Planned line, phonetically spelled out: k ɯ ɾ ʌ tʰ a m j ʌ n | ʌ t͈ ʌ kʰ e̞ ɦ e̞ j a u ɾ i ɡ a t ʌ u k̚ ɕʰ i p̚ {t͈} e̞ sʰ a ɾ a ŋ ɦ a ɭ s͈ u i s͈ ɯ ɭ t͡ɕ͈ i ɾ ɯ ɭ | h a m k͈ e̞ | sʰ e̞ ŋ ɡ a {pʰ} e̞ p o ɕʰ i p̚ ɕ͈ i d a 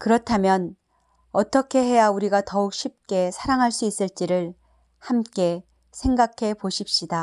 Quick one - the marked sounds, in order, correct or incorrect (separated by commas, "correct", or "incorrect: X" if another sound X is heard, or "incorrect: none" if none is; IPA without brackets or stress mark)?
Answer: incorrect: k͈, incorrect: kʰ